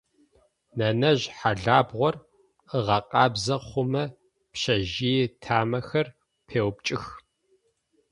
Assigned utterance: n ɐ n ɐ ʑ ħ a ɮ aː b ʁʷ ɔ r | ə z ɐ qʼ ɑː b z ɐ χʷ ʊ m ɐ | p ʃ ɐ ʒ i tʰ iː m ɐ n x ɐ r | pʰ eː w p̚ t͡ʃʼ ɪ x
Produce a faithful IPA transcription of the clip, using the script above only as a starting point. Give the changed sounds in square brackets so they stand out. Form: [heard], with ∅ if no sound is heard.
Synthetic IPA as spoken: n ɐ n ɐ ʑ ħ a ɮ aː b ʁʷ ɔ r | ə [ʁ] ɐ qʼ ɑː b z ɐ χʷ ʊ m ɐ | p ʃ ɐ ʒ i tʰ [aː] m ɐ [∅] x ɐ r | pʰ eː w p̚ t͡ʃʼ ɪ x